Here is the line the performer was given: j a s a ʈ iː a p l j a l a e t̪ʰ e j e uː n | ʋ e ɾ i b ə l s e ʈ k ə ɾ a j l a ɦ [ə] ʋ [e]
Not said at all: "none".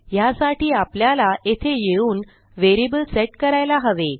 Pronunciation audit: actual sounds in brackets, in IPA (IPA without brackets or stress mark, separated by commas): ə, e